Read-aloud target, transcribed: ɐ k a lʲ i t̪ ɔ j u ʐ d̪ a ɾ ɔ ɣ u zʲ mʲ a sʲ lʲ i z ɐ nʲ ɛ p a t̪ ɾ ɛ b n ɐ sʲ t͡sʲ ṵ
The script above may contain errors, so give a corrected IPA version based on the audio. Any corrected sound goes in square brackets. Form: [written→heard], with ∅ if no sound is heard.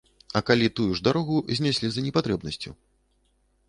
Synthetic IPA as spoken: ɐ k a lʲ i t̪ [ɔ→u] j u ʐ d̪ a ɾ ɔ ɣ u zʲ [mʲ→nʲ] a sʲ lʲ i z ɐ nʲ ɛ p a t̪ ɾ ɛ b n ɐ sʲ t͡sʲ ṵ